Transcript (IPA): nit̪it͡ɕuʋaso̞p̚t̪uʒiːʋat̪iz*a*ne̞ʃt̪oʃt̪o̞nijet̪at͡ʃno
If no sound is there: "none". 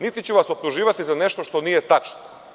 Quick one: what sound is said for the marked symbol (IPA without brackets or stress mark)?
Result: a